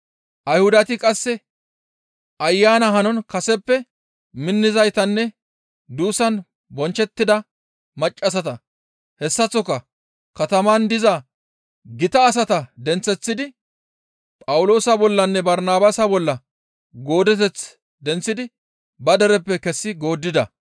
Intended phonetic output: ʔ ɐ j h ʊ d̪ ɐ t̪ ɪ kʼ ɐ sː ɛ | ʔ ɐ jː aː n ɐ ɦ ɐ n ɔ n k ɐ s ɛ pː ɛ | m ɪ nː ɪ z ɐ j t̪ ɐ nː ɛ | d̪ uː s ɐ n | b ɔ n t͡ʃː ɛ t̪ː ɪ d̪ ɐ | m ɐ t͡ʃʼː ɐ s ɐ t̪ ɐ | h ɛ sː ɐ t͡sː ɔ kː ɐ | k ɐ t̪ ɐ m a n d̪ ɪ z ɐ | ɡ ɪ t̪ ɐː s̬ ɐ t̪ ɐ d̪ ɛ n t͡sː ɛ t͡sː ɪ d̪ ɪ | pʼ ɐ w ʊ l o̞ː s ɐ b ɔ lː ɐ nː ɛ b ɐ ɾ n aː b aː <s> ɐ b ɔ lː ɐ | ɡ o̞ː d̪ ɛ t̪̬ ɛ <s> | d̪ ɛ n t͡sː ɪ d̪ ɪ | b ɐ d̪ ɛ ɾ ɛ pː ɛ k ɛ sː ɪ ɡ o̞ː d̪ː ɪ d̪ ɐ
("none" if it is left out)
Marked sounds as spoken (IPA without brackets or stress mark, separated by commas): s, t͡s